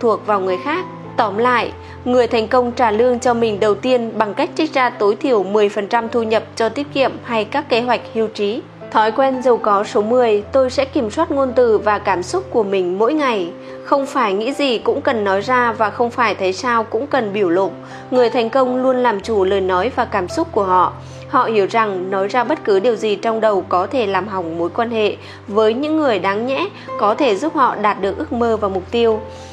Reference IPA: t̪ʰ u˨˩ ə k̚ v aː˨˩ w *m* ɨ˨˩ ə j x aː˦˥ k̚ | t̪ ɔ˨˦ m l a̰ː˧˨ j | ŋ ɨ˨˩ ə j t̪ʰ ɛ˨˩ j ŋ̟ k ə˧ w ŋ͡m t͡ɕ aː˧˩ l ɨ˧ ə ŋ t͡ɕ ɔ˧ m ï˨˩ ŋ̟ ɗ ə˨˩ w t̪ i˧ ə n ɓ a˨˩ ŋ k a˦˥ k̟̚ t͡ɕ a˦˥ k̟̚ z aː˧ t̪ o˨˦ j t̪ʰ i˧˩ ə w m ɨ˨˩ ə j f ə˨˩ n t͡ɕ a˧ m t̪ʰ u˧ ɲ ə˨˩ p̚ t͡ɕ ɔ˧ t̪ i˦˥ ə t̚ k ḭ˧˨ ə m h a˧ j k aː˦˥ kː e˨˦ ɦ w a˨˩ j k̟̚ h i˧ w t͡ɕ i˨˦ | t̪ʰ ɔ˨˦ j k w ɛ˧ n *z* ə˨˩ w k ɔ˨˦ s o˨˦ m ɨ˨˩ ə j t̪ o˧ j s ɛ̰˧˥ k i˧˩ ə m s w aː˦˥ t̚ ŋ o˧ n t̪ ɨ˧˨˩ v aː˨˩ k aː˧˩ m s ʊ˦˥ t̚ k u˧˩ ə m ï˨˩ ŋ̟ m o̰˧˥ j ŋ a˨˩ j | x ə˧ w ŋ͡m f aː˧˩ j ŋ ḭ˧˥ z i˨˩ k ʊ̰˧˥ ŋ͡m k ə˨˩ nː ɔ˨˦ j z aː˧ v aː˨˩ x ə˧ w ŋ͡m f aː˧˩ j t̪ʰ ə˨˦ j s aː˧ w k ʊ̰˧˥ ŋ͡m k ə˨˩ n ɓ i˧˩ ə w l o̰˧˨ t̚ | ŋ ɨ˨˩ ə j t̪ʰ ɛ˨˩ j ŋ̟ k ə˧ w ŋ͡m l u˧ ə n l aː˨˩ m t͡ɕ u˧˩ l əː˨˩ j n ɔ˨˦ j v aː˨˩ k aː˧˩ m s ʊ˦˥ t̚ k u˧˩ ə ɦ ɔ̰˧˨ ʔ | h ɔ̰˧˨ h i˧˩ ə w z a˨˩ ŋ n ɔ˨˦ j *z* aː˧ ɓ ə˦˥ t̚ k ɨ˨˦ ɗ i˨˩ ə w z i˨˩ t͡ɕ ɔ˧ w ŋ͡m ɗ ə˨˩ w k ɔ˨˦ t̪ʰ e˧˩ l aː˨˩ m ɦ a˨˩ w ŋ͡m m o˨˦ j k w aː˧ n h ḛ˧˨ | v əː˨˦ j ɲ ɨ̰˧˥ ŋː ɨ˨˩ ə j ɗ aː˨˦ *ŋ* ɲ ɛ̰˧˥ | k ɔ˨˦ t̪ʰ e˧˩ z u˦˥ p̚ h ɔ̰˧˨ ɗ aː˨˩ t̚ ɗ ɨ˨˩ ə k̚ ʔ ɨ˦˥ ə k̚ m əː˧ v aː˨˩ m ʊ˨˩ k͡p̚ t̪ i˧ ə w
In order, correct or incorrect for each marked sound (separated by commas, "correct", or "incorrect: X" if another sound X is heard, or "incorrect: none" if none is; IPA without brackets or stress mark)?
incorrect: ŋ, correct, correct, correct